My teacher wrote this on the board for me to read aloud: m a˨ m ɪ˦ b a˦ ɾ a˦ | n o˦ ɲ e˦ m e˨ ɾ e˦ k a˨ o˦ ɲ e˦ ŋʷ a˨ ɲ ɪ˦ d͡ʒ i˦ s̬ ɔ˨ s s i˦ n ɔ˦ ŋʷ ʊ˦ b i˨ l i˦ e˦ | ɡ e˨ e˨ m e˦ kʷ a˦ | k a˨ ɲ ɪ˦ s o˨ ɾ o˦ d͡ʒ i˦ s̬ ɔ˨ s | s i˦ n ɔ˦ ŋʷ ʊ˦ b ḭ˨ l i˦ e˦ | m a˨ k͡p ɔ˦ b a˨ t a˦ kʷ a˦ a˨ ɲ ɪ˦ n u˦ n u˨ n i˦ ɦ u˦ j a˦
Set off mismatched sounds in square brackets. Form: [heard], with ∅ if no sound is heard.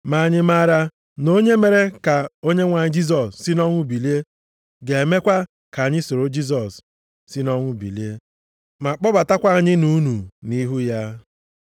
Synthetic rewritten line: m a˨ [ɲ] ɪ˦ [m] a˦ ɾ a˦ | n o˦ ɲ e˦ m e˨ ɾ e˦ k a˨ o˦ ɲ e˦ ŋʷ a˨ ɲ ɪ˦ d͡ʒ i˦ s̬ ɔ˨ s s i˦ n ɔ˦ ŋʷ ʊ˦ b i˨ l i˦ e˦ | ɡ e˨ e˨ m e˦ kʷ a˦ | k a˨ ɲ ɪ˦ s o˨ ɾ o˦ d͡ʒ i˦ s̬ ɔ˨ s | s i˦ n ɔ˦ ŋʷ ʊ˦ b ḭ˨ l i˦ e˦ | m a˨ k͡p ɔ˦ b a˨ t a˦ kʷ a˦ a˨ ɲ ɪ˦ n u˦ n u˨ n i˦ ɦ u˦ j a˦